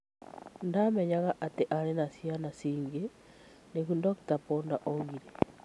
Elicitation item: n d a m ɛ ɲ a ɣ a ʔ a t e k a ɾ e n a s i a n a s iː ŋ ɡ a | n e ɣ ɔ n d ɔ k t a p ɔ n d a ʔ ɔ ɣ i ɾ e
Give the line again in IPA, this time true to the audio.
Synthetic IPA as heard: n d a m ɛ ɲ a ɣ a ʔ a t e ʔ a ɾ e n a s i a n a s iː ŋ ɡ e | n e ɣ u n d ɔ k t a p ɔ n d a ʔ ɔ ɣ i ɾ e